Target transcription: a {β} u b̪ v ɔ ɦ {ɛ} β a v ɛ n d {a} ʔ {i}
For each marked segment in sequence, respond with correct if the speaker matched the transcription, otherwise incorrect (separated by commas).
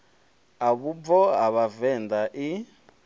correct, incorrect, correct, correct